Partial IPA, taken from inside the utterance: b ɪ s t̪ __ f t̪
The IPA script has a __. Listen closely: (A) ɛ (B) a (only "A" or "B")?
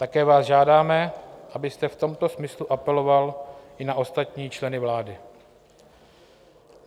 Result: A